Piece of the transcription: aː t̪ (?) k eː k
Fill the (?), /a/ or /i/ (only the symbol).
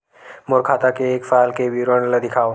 a